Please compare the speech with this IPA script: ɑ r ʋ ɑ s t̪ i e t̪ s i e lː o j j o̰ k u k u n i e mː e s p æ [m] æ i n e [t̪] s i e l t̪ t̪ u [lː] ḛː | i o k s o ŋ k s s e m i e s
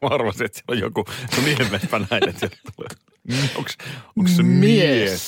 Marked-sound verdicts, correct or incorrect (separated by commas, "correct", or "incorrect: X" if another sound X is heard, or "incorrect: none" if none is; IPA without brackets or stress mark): incorrect: n, correct, incorrect: l